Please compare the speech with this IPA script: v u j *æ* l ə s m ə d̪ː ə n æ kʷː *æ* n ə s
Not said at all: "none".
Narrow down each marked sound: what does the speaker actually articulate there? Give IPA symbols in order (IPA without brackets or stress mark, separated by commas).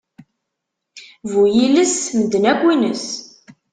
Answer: i, i